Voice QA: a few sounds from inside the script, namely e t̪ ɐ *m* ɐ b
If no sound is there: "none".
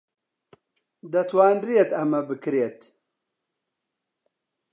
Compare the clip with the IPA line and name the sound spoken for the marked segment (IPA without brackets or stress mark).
m